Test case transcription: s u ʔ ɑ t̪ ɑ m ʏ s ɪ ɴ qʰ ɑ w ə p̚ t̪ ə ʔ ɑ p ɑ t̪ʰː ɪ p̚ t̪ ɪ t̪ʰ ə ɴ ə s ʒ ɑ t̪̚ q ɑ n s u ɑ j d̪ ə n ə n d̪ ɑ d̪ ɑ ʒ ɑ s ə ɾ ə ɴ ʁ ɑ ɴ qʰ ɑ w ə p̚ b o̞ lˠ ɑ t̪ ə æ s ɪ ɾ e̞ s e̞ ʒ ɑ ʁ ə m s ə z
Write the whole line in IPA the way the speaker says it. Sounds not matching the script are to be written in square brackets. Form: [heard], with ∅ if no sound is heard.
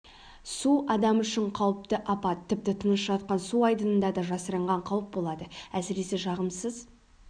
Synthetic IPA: s u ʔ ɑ [d̪] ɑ m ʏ [ʃ] ɪ ɴ qʰ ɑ w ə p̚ t̪ ə ʔ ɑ p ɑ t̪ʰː ɪ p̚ t̪ ɪ t̪ʰ ə [n] ə s ʒ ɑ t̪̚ q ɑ n s u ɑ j d̪ ə n ə n d̪ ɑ d̪ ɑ ʒ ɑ s ə ɾ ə ɴ ʁ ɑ ɴ qʰ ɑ w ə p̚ b o̞ lˠ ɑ [d̪] ə æ s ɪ ɾ e̞ s e̞ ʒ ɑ ʁ ə m s ə z

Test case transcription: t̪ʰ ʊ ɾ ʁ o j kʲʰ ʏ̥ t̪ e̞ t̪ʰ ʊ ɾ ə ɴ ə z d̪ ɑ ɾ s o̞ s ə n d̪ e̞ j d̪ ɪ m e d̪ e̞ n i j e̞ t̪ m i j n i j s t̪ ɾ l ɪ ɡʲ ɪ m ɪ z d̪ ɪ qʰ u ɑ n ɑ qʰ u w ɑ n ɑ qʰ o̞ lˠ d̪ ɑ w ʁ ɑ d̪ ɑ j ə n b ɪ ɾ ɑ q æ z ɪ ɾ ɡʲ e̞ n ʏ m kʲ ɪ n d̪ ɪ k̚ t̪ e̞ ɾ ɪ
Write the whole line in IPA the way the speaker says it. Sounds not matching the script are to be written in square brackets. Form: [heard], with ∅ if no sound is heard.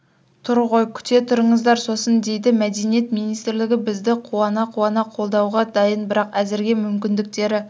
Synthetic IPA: t̪ʰ ʊ ɾ ʁ o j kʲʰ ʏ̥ t̪ e̞ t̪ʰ ʊ ɾ ə ɴ ə z d̪ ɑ ɾ s o̞ s ə n d̪ e̞ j d̪ ɪ m [æ] d̪ e̞ n i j e̞ t̪ m i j n i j s t̪ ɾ l ɪ ɡʲ ɪ [b] ɪ z d̪ ɪ qʰ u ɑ n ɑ qʰ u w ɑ n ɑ qʰ o̞ lˠ d̪ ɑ w ʁ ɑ d̪ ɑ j ə n b ɪ ɾ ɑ q æ z ɪ ɾ ɡʲ e̞ [m] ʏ m kʲ ɪ n d̪ ɪ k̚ t̪ e̞ ɾ ɪ

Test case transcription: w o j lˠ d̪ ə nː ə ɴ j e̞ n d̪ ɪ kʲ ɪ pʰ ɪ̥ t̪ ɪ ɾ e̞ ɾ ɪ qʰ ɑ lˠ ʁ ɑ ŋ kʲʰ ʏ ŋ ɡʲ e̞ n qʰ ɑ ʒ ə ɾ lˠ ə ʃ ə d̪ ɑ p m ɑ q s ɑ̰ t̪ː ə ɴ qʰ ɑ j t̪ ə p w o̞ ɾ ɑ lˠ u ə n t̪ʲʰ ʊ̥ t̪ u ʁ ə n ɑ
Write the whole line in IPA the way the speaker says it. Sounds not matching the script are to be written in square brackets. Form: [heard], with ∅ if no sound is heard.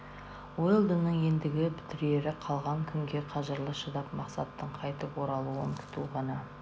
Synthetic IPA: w o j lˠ d̪ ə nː ə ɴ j e̞ n d̪ ɪ [ɡʲ] ɪ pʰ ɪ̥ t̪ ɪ ɾ e̞ ɾ ɪ qʰ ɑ lˠ ʁ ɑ ŋ kʲʰ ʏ ŋ ɡʲ e̞ [∅] qʰ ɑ ʒ ə ɾ lˠ ə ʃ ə d̪ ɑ p m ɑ q s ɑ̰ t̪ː ə ɴ qʰ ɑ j t̪ ə p w o̞ ɾ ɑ lˠ u ə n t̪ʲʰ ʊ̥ t̪ u ʁ [ɑ] n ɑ

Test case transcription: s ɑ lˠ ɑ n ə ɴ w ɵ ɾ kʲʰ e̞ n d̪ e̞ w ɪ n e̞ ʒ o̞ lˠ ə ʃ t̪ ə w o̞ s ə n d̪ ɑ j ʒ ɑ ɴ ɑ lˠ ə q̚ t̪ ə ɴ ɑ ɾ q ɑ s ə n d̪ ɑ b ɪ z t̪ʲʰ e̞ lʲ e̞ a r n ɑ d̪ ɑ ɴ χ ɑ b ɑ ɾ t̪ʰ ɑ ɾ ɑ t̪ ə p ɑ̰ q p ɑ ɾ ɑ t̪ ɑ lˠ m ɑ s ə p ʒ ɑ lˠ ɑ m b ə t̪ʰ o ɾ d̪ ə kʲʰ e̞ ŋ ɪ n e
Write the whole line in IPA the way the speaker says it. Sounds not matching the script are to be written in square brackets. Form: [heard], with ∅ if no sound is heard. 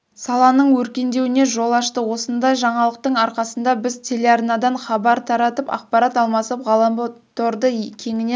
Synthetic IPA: s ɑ lˠ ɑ n ə ɴ w ɵ ɾ [kʲ] e̞ n d̪ e̞ w ɪ n e̞ ʒ o̞ lˠ [ɑ] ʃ t̪ ə w o̞ s ə n d̪ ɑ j ʒ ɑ ɴ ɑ lˠ ə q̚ t̪ ə ɴ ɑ ɾ q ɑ s ə n d̪ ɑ b ɪ z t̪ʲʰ e̞ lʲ e̞ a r n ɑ d̪ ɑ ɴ χ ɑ b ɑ ɾ t̪ʰ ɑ ɾ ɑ t̪ ə p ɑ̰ q p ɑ ɾ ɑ t̪ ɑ lˠ m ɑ s ə p [ʁ] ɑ lˠ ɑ m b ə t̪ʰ o ɾ d̪ ə kʲʰ e̞ ŋ ɪ n e

